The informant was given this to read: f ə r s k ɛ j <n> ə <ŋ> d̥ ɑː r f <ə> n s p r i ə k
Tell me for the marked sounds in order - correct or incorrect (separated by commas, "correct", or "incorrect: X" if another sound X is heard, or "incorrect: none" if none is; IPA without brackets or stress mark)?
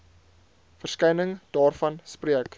correct, correct, incorrect: ɐ